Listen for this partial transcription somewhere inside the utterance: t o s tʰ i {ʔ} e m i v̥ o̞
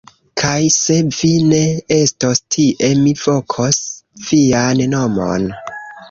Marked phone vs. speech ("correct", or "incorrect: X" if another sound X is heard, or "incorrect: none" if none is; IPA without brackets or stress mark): correct